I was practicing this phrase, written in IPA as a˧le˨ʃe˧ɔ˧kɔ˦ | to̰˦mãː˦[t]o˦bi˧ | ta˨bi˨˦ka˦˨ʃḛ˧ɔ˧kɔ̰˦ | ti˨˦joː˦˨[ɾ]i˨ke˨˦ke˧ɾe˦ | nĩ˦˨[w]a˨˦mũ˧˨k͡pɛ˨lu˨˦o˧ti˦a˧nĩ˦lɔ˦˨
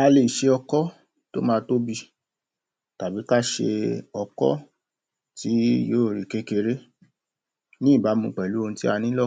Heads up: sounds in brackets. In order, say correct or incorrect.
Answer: correct, correct, incorrect: b

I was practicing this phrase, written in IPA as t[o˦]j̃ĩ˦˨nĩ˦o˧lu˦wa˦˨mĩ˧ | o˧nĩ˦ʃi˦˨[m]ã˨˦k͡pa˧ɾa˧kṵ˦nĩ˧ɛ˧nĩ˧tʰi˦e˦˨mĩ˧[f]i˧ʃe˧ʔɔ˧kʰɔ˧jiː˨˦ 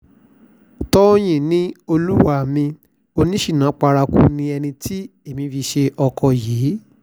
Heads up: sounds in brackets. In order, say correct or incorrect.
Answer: incorrect: ɔ˦, incorrect: n, correct

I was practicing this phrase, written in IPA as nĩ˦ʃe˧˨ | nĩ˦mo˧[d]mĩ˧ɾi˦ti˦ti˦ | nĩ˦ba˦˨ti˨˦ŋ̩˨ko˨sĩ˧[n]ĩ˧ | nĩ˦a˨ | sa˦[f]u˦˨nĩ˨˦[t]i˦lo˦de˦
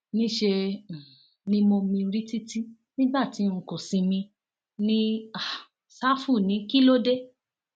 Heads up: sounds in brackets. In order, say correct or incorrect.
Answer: incorrect: none, incorrect: m, correct, incorrect: k

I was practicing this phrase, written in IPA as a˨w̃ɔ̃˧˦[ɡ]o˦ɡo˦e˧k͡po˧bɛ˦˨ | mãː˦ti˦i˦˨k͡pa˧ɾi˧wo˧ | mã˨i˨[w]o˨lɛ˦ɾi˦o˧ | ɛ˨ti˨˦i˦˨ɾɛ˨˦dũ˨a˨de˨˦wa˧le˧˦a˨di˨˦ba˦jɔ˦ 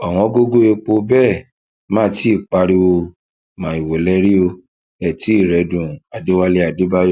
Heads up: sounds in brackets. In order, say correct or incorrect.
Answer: correct, correct

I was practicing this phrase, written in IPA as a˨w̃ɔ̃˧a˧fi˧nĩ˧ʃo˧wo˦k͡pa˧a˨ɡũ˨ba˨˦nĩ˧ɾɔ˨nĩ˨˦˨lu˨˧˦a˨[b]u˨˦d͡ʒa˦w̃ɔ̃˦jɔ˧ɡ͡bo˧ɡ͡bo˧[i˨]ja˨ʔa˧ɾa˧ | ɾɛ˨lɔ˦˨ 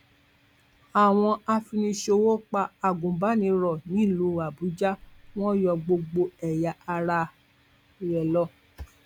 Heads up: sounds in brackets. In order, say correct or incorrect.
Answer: correct, incorrect: ɛ˨

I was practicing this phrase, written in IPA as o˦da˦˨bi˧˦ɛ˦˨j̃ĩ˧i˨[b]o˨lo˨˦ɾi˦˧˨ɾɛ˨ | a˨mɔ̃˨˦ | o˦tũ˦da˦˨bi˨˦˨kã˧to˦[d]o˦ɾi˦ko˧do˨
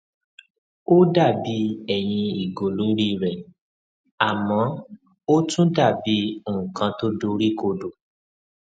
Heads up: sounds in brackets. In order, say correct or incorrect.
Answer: incorrect: ɡ, correct

